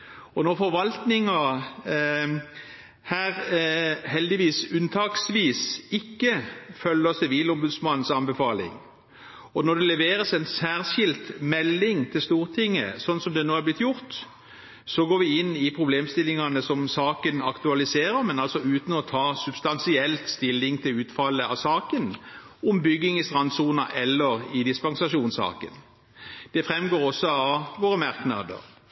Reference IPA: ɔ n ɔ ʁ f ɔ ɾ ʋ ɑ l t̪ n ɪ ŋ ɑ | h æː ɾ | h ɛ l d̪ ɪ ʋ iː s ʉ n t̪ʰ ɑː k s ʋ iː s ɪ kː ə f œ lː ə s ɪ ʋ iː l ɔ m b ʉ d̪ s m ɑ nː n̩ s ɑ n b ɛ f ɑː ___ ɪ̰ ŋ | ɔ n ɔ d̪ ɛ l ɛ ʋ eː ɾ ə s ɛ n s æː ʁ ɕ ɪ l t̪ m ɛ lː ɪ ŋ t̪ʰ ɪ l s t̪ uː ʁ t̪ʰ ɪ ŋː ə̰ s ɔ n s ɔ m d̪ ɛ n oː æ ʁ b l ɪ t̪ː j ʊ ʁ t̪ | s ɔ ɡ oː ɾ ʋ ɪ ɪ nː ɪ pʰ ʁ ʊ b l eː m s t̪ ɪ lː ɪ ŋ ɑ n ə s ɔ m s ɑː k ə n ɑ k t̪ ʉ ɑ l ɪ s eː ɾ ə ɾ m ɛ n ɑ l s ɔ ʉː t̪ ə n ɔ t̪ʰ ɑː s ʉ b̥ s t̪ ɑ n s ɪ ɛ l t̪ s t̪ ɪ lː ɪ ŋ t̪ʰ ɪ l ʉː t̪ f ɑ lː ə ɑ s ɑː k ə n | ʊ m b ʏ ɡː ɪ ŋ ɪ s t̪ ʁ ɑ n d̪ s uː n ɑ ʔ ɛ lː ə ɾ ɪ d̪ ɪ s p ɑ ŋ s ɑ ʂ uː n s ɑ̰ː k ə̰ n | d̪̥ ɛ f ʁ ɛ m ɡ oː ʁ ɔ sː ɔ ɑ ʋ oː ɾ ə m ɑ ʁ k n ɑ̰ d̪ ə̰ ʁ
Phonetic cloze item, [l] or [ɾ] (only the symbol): l